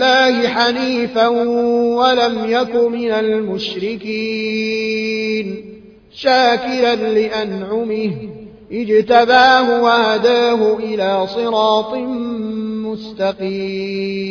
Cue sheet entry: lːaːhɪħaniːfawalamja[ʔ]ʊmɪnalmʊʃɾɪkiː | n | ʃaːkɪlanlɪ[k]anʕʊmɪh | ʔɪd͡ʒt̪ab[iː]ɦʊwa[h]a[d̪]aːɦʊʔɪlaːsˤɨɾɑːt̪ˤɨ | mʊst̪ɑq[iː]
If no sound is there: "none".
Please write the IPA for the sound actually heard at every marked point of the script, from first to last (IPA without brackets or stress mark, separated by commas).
k, ʔ, aː, h, d̪, iː